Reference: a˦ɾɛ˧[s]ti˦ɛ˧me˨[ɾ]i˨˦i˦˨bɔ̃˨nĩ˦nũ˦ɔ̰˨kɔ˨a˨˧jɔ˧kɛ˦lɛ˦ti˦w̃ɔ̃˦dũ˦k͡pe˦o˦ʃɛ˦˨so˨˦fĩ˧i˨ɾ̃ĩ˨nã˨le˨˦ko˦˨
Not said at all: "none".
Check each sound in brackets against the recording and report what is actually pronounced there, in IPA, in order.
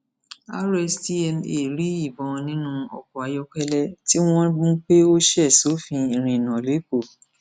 s, ɾ

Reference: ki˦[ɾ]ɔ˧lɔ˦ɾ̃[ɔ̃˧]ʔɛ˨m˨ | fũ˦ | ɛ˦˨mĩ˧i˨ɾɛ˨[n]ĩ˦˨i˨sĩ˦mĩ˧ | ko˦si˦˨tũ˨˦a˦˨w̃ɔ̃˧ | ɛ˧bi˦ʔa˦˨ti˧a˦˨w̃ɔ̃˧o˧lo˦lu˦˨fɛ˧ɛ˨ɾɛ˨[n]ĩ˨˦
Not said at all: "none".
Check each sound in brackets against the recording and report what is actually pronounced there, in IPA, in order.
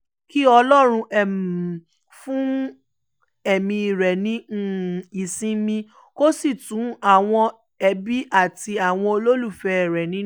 none, ũ˧, n, n

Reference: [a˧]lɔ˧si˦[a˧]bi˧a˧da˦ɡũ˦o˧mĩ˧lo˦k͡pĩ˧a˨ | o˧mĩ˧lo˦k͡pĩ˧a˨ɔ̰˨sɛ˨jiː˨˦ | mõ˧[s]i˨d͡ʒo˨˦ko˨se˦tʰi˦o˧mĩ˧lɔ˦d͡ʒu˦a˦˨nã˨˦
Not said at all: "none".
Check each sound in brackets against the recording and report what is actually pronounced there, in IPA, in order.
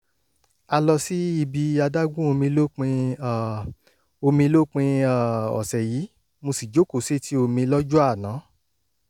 a˧, i˧, s

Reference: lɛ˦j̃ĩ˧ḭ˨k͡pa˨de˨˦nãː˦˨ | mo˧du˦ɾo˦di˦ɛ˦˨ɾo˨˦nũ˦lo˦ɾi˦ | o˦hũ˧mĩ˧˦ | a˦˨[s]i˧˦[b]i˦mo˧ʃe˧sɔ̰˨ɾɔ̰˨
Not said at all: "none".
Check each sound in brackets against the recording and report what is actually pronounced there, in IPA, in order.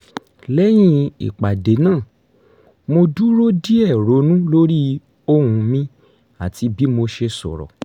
t, b

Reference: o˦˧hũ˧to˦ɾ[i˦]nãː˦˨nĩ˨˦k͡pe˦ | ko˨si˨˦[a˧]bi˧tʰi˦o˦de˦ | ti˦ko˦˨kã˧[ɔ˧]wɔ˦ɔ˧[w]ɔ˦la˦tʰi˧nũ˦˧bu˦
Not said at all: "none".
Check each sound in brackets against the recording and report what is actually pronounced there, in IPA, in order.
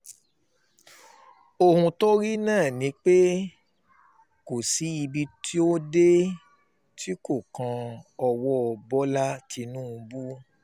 i˦, i˧, ɔ˧, b

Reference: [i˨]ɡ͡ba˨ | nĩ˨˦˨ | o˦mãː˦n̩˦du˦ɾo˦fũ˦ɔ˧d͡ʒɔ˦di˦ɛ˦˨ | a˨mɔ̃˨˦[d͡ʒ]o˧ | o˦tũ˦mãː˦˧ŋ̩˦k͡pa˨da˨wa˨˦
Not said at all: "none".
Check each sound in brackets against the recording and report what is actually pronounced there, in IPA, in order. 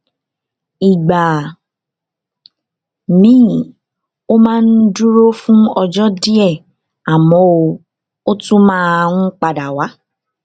i˨, none

